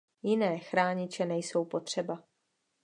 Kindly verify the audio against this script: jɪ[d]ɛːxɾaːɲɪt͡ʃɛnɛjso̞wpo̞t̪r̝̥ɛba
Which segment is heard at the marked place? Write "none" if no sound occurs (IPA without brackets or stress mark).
n